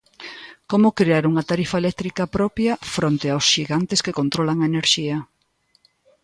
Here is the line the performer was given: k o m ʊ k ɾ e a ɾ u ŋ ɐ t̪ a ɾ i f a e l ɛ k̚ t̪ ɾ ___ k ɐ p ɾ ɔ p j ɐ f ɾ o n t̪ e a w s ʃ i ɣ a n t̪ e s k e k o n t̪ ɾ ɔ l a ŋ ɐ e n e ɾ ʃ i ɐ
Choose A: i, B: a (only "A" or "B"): A